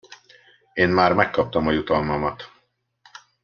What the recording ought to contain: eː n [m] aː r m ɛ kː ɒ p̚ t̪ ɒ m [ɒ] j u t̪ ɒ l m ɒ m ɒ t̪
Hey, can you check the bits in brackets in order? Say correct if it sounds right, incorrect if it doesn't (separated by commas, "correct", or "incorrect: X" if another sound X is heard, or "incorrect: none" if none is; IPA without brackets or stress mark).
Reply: correct, correct